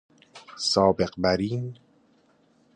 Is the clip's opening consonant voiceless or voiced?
voiceless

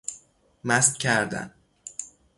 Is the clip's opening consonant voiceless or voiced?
voiced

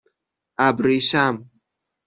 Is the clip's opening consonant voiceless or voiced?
voiced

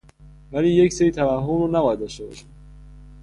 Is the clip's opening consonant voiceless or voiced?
voiced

